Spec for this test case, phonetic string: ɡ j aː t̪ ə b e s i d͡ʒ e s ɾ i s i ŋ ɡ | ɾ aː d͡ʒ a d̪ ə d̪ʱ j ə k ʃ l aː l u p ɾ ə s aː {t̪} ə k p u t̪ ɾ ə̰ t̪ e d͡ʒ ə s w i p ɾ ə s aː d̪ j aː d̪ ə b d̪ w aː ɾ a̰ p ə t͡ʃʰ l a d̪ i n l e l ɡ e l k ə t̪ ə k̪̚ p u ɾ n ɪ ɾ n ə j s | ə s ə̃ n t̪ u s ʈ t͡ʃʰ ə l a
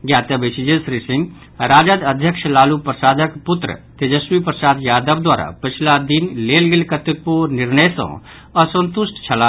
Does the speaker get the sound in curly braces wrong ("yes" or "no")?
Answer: yes